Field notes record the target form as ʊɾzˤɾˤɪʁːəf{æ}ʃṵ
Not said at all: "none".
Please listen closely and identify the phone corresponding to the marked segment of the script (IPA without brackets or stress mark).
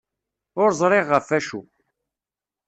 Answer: æ